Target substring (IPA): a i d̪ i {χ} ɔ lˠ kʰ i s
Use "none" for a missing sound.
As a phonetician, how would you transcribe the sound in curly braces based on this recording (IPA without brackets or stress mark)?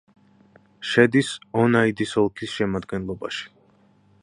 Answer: s